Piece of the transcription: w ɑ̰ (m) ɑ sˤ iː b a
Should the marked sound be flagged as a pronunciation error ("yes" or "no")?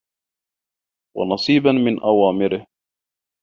yes